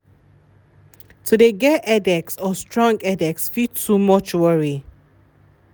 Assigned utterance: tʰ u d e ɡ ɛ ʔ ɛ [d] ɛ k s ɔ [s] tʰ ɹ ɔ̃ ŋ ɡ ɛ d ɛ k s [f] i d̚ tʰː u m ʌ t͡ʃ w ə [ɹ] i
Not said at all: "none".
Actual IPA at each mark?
d, s, f, ɹ

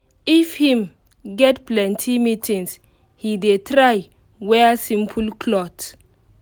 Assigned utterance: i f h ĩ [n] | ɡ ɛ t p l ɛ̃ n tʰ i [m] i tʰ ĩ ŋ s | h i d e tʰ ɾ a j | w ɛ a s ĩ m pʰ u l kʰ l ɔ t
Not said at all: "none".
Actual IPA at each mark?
m, m

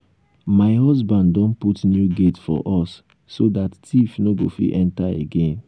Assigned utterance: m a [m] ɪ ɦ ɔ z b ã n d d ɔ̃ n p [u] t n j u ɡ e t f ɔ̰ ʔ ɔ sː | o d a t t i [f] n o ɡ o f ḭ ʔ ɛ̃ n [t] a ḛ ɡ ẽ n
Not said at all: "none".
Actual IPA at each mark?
none, u, f, t

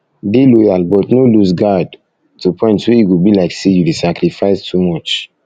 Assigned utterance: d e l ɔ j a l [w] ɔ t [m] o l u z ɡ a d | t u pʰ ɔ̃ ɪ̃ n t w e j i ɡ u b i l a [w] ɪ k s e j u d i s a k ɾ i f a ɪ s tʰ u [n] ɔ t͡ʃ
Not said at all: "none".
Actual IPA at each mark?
b, n, none, m

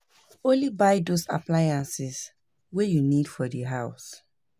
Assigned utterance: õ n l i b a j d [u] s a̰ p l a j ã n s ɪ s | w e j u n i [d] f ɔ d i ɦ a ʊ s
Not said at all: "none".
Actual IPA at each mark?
o, d

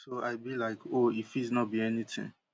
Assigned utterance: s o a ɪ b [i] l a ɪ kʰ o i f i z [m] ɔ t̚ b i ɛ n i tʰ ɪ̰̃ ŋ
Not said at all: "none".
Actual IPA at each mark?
i, n

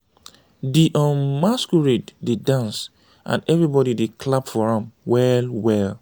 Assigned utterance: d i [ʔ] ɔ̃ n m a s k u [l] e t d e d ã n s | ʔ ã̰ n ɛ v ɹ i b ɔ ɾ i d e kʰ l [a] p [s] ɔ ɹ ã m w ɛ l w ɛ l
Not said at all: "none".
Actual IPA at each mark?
ʔ, ɹ, a, f

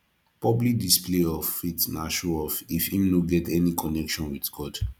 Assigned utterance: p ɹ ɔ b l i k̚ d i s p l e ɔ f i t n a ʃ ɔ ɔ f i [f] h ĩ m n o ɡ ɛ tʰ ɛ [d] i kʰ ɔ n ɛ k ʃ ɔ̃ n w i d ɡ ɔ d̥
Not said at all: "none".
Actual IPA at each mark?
f, n

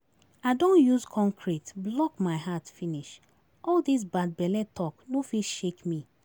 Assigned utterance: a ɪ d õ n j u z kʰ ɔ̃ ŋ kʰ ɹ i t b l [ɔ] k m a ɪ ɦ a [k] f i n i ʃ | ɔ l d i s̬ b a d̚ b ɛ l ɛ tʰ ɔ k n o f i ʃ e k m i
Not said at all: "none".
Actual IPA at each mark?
ɔ, t

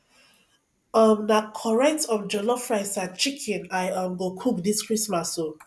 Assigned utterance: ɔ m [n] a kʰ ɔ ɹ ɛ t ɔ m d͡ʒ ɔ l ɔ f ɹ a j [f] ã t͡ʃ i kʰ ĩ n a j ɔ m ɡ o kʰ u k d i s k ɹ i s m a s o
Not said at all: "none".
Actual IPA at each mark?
n, s

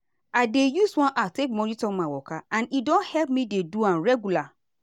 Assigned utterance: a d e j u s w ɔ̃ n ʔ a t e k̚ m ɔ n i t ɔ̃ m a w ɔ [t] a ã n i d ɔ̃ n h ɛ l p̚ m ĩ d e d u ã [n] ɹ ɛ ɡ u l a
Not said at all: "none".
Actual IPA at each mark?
k, n

